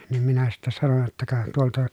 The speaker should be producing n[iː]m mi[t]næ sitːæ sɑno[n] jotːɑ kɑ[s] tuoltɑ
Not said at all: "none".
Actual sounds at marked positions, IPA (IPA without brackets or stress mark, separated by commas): i, none, n, none